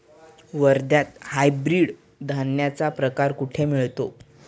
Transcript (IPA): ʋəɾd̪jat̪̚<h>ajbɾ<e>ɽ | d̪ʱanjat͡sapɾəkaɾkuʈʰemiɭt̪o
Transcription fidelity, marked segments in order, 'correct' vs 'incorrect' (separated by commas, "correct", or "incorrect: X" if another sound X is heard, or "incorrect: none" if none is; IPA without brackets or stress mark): correct, incorrect: i